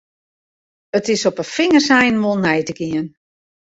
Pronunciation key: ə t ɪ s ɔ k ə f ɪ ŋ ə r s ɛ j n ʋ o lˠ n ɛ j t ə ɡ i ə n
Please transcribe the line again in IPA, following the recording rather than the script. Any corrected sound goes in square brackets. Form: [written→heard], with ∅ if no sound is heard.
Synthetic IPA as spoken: ə t ɪ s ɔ [k→p] ə f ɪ ŋ ə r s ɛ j n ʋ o lˠ n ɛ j t ə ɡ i ə n